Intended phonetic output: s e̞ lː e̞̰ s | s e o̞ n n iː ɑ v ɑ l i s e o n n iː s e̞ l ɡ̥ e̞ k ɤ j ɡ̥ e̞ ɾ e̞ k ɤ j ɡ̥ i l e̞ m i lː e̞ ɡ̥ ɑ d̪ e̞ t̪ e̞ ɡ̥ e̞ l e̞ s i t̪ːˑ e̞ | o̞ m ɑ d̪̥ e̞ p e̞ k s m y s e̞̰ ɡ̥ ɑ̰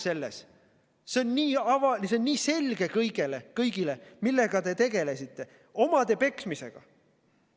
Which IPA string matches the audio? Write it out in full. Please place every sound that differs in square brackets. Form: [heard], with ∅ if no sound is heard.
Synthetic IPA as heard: s e̞ lː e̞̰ s | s e o̞ n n iː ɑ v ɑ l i s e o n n iː s e̞ l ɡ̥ e̞ k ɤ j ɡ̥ e̞ [l] e̞ k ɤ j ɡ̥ i l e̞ m i lː e̞ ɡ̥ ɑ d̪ e̞ t̪ e̞ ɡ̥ e̞ l e̞ s i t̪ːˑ e̞ | o̞ m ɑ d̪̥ e̞ p e̞ k s m [i] s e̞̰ ɡ̥ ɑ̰